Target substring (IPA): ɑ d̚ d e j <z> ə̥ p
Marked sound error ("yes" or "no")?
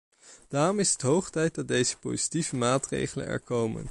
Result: no